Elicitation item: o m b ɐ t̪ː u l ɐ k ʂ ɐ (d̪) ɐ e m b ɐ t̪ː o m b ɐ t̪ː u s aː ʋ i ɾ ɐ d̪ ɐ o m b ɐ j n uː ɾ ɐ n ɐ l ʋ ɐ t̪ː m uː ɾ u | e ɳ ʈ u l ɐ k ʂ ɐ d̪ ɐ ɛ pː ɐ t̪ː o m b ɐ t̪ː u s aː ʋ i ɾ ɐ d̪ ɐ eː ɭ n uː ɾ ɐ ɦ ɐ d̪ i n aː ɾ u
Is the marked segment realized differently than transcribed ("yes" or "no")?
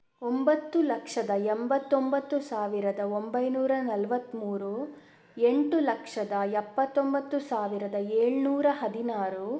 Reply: no